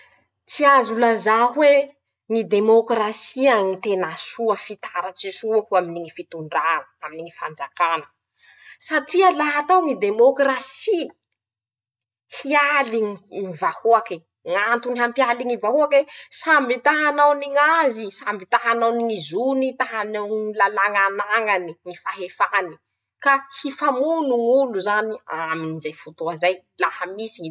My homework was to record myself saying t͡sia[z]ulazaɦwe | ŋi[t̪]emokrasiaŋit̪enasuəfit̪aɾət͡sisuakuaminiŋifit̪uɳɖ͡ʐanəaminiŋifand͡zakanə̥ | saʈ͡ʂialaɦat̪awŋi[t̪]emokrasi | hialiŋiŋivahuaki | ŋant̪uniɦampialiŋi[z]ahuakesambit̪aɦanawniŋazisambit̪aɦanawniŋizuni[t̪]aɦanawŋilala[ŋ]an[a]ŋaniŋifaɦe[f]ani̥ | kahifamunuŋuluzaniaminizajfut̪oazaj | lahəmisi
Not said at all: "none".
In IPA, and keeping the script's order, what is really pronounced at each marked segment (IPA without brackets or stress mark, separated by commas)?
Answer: z, d̪, d̪, v, t̪, ŋ, a, f